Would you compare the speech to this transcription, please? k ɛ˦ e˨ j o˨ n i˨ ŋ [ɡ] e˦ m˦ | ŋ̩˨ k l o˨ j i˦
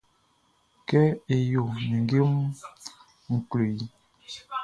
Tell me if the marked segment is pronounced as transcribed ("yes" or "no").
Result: yes